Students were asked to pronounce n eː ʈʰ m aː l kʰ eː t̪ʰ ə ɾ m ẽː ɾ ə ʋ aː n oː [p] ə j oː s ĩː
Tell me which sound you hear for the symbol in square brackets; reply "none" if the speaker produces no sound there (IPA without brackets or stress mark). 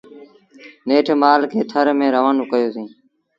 k